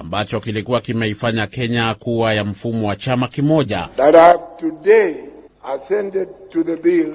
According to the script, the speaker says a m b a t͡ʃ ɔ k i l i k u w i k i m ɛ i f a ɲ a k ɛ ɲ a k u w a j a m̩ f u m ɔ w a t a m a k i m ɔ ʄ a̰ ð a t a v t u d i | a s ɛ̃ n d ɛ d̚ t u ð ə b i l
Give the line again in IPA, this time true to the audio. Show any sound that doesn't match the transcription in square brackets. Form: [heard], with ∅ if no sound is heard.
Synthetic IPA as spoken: a m b a t͡ʃ ɔ k i l i k u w [a] k i m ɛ i f a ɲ a k ɛ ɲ a k u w a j a m̩ f u m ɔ w a [t͡ʃ] a m a k i m ɔ ʄ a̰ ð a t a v t u d [e] | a s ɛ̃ n d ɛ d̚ t u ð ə b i l